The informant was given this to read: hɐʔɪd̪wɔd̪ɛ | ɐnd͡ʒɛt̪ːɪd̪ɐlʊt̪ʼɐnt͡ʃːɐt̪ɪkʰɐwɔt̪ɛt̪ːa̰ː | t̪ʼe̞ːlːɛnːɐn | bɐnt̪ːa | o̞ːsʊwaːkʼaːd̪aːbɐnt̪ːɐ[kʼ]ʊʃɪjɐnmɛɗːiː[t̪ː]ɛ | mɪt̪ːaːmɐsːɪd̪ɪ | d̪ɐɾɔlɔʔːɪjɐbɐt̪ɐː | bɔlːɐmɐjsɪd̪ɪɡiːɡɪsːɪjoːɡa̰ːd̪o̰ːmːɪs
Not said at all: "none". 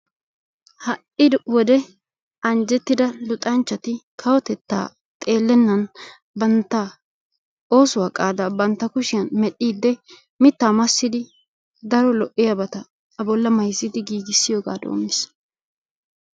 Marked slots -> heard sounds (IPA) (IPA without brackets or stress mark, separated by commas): k, d̪ː